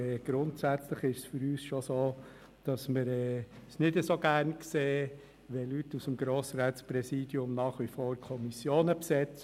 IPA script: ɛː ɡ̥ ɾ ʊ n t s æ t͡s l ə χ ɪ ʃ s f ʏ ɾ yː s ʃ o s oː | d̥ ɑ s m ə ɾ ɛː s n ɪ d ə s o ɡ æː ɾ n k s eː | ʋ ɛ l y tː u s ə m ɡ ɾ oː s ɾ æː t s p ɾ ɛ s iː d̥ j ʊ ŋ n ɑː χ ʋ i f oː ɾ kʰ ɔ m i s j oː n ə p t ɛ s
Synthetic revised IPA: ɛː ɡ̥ ɾ ʊ n t s æ t͡s l ə χ ɪ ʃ s f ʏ ɾ yː s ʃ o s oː | d̥ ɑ s m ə ɾ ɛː s n ɪ d ə s o ɡ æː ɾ n k s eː | ʋ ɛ l y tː u s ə m ɡ ɾ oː s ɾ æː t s p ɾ ɛ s iː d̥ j ʊ m n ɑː χ ʋ i f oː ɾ kʰ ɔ m i s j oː n ə p s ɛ t͡s